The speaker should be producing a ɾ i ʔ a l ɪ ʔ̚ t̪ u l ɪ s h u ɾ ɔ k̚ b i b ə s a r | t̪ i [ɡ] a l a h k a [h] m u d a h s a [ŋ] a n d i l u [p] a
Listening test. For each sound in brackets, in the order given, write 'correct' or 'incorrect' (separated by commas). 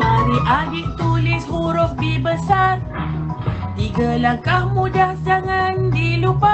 correct, correct, correct, correct